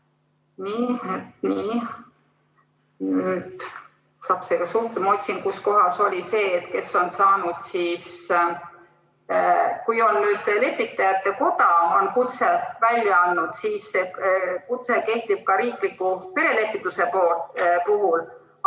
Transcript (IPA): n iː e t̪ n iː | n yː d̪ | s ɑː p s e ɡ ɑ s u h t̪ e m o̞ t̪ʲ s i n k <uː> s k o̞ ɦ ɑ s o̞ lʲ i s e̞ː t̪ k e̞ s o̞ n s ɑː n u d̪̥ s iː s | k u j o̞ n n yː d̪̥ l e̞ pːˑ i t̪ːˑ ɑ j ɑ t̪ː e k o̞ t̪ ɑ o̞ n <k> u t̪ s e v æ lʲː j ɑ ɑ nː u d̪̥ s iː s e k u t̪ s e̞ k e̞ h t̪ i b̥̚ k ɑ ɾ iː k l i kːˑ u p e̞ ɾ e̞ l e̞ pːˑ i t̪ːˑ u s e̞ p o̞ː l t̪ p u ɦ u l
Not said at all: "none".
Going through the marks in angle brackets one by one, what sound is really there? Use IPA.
u, k

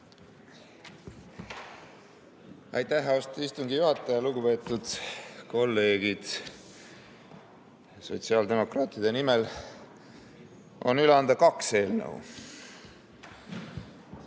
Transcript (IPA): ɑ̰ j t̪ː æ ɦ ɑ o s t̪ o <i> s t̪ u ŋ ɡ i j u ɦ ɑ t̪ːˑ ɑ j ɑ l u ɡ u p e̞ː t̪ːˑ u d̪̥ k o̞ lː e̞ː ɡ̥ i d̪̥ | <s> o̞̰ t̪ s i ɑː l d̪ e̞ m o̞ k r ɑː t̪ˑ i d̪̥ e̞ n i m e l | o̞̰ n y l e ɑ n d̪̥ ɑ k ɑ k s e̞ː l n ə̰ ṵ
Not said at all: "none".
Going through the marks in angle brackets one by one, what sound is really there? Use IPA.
i, s

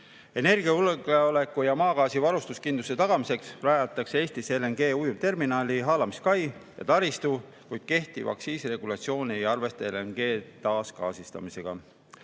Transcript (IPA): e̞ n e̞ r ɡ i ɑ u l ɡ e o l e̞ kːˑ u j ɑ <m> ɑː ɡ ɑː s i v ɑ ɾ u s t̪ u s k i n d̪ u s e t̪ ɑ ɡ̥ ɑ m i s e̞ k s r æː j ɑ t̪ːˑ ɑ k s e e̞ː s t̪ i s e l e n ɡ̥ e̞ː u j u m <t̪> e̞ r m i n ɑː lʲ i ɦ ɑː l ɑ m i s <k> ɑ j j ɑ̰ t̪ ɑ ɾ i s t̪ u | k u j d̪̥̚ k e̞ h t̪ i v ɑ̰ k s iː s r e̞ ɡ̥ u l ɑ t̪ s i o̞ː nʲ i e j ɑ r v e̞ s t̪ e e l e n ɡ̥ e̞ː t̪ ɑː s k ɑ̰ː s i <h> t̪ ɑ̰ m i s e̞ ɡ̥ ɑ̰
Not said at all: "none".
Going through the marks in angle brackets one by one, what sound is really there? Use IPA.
m, t̪, k, s

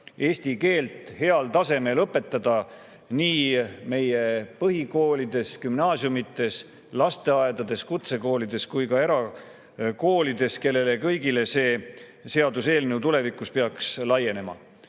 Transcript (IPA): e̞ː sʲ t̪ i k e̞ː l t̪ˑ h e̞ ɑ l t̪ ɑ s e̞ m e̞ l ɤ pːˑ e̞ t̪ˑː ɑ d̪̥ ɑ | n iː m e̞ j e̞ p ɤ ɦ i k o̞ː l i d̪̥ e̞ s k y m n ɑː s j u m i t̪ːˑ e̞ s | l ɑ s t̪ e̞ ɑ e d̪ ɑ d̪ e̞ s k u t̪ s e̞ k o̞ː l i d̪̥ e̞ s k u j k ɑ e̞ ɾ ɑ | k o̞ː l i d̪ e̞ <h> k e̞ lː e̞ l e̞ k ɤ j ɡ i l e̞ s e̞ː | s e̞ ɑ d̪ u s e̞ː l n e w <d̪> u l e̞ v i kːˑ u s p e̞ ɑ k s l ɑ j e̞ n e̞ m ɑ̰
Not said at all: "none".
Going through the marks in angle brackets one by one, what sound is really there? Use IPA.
s, t̪

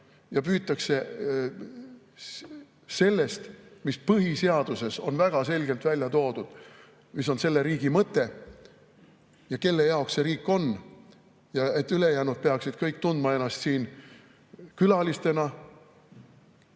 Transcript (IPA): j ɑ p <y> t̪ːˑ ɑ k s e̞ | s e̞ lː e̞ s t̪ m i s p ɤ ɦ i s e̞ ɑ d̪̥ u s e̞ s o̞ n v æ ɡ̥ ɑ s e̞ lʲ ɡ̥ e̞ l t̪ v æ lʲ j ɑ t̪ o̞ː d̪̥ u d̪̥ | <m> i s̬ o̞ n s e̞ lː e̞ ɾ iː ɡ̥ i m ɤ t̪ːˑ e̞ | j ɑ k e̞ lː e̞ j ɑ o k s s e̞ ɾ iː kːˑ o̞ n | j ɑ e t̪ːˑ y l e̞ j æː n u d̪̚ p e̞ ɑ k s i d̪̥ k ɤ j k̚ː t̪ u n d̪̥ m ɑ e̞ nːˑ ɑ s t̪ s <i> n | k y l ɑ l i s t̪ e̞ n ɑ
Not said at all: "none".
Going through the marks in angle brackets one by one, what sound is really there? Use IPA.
yː, m, iː

